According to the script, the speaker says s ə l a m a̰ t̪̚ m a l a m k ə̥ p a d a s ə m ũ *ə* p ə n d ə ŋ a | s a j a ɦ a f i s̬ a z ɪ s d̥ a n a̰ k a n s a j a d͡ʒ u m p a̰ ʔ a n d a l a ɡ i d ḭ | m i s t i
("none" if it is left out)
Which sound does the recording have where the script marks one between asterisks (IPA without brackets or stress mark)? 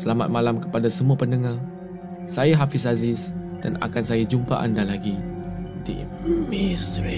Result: a